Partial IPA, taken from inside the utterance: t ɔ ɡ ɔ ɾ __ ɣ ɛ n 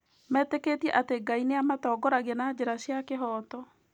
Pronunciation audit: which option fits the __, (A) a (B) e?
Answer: A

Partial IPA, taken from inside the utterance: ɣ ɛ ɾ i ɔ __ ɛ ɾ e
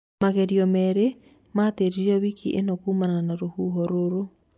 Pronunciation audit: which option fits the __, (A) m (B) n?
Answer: A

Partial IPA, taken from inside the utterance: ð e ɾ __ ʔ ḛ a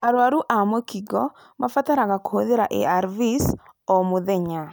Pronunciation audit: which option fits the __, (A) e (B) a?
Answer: B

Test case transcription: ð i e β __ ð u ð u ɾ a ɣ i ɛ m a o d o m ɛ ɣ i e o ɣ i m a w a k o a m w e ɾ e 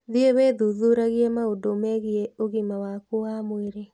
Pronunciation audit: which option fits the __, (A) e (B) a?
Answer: A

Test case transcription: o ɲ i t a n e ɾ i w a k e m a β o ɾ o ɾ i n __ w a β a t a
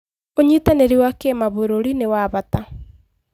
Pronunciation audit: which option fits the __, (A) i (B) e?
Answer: B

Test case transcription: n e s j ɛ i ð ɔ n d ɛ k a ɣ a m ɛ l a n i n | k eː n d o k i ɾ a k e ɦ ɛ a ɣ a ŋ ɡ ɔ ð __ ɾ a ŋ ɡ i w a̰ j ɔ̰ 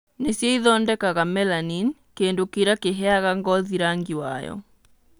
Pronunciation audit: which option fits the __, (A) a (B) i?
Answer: B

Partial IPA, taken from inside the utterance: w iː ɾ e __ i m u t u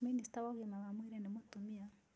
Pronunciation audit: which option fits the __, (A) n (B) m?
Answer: A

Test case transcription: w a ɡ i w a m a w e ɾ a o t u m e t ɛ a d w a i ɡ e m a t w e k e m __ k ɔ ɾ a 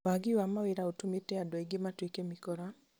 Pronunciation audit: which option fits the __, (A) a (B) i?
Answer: B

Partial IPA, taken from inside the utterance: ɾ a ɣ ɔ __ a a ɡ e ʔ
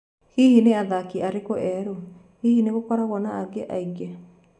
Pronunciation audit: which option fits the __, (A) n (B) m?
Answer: A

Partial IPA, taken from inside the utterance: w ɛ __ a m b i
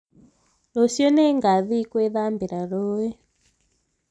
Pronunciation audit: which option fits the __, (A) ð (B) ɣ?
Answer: A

